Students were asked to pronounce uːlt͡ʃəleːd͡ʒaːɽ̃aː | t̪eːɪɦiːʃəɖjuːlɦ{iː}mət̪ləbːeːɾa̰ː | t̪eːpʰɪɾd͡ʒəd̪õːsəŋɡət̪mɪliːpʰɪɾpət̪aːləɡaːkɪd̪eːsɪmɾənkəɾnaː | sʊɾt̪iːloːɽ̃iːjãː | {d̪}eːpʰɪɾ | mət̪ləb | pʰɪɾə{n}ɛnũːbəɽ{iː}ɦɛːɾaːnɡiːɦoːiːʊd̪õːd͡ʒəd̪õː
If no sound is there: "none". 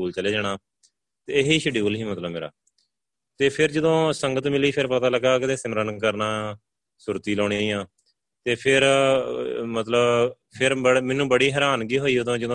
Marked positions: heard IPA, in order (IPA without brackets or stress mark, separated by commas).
iː, t̪, m, iː